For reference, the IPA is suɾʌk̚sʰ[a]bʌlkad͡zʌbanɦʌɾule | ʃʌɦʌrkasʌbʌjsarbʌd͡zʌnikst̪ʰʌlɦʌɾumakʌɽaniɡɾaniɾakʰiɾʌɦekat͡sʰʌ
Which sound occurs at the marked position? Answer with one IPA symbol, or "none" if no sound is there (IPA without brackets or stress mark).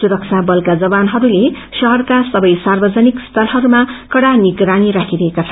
a